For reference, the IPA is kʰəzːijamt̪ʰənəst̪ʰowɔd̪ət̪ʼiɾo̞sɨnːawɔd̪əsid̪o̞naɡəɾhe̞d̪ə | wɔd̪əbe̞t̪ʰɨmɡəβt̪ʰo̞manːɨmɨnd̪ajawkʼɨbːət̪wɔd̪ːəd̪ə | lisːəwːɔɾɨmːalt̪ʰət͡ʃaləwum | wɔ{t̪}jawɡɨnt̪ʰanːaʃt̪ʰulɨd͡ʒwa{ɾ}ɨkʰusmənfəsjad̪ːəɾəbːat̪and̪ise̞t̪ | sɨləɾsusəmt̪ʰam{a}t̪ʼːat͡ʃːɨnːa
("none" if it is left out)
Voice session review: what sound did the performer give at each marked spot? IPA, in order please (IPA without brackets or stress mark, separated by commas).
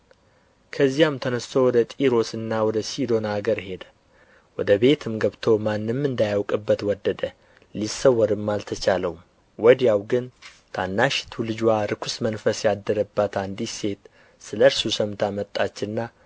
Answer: d̪, ɾ, ə